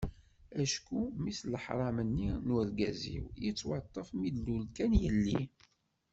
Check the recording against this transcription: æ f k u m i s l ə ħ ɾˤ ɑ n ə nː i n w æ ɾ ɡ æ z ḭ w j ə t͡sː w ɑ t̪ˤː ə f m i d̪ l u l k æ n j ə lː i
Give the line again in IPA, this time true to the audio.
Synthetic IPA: æ ʃ k u m i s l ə ħ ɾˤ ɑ m ə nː i n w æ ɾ ɡ æ z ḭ w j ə t͡sː w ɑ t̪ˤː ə f m i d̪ l u l k æ n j ə lː i